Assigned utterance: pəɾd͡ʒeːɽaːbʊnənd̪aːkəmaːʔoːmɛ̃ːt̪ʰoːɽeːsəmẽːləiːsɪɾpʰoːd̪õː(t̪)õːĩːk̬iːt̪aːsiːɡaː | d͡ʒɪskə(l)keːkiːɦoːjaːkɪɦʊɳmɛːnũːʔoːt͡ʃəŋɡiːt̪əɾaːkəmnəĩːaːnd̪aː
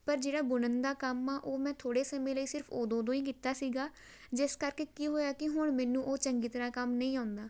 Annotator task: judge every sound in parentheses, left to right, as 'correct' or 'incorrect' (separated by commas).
incorrect, incorrect